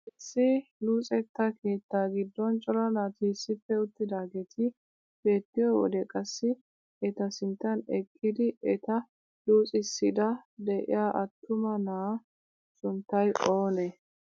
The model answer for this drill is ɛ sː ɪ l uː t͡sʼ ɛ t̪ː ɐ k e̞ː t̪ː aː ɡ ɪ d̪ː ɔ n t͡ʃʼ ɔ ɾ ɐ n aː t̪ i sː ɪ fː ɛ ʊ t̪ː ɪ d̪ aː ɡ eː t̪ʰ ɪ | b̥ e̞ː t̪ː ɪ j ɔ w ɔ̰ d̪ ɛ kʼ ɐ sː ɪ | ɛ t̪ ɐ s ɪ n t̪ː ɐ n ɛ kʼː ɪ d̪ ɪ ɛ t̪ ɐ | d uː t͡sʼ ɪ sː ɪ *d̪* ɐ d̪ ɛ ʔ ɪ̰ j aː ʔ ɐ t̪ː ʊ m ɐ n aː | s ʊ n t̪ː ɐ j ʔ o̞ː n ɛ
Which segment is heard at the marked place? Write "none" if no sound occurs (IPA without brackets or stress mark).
d̪